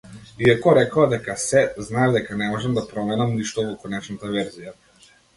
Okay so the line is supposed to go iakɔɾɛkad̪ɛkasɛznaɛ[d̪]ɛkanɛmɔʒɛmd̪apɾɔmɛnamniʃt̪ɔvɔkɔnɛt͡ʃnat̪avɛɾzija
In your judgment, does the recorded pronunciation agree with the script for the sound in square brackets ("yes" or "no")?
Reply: yes